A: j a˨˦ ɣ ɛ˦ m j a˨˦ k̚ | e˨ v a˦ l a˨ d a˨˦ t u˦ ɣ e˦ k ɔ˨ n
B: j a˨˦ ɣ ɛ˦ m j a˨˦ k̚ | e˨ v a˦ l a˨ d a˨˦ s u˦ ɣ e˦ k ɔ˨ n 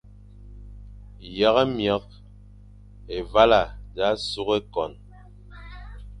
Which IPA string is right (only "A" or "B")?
B